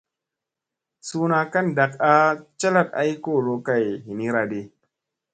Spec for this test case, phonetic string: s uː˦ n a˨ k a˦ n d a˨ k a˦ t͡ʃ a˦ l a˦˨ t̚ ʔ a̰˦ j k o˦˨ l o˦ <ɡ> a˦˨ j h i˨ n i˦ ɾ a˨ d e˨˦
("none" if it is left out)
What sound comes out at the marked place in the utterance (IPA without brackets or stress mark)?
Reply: k